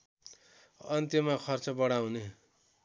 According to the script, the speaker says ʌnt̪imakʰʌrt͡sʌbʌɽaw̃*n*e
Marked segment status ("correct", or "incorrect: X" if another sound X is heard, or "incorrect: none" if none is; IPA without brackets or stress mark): correct